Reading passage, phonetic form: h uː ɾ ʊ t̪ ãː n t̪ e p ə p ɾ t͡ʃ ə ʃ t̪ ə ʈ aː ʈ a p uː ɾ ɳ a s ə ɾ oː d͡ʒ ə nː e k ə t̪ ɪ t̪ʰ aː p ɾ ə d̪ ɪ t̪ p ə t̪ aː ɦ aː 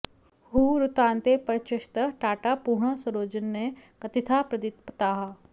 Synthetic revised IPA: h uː ɾ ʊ t̪ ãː n t̪ e p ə ɾ t͡ʃ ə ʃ t̪ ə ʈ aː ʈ a p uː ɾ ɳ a s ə ɾ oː d͡ʒ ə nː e k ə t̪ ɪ t̪ʰ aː p ɾ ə d̪ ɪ t̪ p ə t̪ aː ɦ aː